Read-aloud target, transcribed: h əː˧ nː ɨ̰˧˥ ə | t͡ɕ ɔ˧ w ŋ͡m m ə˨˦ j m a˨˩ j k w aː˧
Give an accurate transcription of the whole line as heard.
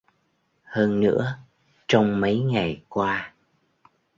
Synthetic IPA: h əː˧ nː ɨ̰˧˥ ə | t͡ɕ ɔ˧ w ŋ͡m m ə˨˦ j ŋ a˨˩ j k w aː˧